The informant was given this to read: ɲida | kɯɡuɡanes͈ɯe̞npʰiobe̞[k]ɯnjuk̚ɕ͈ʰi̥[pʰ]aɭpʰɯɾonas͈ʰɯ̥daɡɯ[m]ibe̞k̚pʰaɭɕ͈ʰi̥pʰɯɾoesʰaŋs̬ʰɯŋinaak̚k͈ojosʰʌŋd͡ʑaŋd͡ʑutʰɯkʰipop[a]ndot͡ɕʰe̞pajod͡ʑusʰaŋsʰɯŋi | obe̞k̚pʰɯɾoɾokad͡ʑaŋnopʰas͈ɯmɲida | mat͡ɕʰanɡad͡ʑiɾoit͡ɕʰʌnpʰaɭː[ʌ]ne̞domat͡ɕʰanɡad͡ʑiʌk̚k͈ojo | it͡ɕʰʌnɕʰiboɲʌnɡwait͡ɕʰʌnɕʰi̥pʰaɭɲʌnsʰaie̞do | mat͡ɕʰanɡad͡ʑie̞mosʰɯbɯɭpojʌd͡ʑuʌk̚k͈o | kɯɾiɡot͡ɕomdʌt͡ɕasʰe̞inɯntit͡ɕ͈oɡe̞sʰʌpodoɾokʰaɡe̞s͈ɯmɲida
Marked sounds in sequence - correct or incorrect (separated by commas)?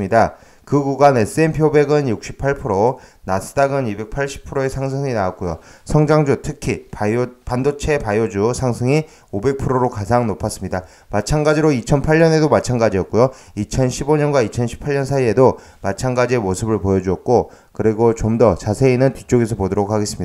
incorrect, correct, incorrect, correct, correct